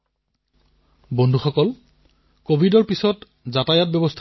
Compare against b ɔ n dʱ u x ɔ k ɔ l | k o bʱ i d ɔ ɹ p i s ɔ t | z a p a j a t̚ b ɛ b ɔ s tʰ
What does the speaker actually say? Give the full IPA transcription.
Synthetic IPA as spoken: b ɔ n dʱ u x ɔ k ɔ l | k o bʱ i d ɔ ɹ p i s ɔ t | z a t a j a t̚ b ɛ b ɔ s tʰ